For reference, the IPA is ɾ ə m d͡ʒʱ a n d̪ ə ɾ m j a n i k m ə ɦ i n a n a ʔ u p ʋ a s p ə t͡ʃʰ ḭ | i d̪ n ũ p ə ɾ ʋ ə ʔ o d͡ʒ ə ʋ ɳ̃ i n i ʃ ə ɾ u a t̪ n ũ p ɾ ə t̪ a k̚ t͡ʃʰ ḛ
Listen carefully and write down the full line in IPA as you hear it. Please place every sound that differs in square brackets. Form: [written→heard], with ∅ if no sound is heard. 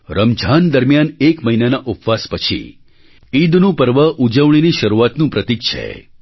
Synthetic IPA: ɾ ə m d͡ʒʱ a n d̪ ə ɾ m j a n [i→e] k m ə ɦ i n a n a ʔ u p ʋ a s p ə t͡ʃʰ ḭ | i d̪ n ũ p ə ɾ ʋ ə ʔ [o→u] d͡ʒ ə ʋ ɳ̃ i n i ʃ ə ɾ u a t̪ n ũ p ɾ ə t̪ [a→i] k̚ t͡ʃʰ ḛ